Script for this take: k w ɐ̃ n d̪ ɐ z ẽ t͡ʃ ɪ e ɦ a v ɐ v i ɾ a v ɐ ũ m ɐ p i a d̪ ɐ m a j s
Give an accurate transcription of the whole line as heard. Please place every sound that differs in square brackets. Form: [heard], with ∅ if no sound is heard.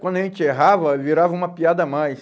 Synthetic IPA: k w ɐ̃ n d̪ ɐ [ʒ] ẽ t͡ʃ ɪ e ɦ a v ɐ v i ɾ a v ɐ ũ m ɐ p i a d̪ ɐ m a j s